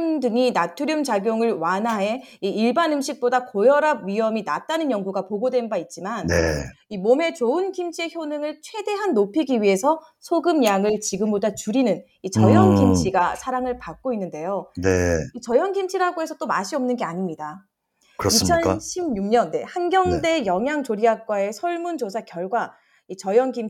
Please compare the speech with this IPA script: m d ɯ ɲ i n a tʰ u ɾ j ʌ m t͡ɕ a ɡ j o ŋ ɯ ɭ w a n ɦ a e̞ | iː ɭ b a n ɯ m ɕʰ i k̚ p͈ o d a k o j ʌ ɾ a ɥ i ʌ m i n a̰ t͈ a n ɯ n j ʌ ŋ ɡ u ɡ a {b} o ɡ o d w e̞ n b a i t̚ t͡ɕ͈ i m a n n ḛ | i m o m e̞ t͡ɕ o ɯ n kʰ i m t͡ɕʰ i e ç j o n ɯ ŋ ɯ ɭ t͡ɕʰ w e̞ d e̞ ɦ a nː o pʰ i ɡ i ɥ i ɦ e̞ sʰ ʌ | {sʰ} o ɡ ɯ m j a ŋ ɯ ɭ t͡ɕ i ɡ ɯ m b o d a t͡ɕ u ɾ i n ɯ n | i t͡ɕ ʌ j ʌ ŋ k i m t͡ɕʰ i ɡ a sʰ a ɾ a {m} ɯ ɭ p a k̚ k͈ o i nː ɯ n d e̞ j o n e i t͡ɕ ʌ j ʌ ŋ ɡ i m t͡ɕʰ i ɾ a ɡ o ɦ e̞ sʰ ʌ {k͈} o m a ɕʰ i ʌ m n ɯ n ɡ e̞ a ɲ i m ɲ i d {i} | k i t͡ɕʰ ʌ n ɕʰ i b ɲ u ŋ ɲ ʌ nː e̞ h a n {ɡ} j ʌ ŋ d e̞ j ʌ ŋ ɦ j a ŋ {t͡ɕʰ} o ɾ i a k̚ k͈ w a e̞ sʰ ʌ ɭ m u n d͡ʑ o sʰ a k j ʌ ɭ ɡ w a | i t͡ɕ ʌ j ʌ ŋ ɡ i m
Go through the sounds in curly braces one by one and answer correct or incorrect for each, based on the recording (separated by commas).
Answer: incorrect, correct, incorrect, incorrect, incorrect, correct, incorrect